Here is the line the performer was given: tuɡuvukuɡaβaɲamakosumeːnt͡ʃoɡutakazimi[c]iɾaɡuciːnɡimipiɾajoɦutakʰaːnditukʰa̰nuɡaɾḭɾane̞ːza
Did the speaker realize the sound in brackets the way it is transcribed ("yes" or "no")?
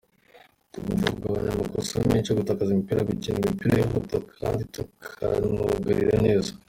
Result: no